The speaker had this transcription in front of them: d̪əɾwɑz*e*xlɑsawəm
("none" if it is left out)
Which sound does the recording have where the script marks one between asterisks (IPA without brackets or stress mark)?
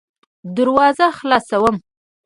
a